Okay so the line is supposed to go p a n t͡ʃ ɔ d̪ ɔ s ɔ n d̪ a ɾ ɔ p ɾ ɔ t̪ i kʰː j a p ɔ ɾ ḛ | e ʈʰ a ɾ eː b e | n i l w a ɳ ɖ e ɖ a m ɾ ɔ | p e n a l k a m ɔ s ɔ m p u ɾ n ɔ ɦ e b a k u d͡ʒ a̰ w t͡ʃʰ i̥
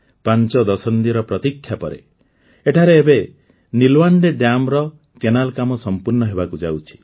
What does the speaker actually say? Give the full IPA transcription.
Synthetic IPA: p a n t͡ʃ ɔ d̪ ɔ s ɔ n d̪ i ɾ ɔ p ɾ ɔ t̪ i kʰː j a p ɔ ɾ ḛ | e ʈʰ a ɾ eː b e | n i l w a ɳ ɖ e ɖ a m ɾ ɔ | k e n a l k a m ɔ s ɔ m p u ɾ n ɔ ɦ e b a k u d͡ʒ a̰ w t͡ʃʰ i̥